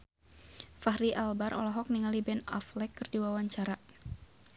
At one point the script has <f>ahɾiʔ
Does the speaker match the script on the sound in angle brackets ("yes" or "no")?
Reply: yes